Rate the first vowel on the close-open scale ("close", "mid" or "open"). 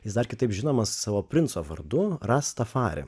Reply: close